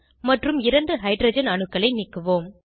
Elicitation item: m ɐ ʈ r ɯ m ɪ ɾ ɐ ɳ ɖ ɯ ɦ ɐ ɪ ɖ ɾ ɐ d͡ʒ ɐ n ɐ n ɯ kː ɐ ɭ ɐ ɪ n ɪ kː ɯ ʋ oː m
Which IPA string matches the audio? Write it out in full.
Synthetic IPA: m ɐ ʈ r ɯ m ɪ ɾ ɐ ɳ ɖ ɯ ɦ ɐ ɪ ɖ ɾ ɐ d͡ʒ ɐ n ɐ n ɯ kː ɐ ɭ ɐ ɪ n ɪ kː ɯ ʋ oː m